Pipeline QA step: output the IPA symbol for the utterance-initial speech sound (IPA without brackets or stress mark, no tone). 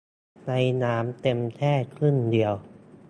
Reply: n